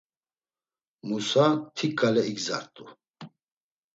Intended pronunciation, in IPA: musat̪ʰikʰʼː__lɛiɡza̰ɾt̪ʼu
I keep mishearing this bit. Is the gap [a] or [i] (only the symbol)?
a